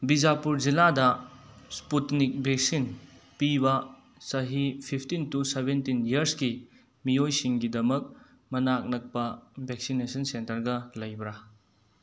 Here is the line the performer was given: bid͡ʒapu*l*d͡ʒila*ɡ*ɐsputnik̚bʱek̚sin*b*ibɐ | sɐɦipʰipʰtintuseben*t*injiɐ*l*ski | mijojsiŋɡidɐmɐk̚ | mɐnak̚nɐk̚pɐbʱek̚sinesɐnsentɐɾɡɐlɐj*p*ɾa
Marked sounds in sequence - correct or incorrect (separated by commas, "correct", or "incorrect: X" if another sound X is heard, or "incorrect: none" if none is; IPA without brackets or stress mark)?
incorrect: ɾ, incorrect: d, incorrect: p, correct, incorrect: ɾ, incorrect: b